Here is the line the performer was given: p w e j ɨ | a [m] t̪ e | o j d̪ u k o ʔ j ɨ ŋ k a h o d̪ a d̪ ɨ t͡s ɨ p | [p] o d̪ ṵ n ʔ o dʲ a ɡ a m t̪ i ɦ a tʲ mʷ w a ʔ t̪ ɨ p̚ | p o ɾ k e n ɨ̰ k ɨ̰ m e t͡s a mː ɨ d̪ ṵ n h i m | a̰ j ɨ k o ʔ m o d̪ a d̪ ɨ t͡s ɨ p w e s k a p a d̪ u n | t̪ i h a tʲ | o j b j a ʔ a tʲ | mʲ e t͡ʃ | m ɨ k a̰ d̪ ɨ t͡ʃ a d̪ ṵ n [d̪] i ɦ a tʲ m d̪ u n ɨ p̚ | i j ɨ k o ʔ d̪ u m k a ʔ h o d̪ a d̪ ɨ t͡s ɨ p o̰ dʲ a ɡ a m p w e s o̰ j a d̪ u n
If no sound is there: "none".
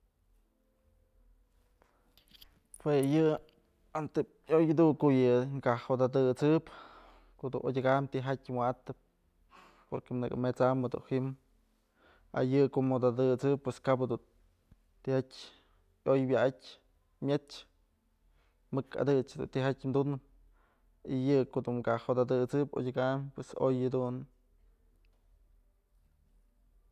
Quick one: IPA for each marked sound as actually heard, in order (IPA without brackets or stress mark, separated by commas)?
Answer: n, k, t̪